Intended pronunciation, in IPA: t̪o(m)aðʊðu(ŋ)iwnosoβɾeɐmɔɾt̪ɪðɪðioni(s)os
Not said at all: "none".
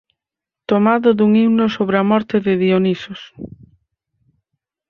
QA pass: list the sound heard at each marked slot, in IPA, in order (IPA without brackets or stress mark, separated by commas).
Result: m, ŋ, s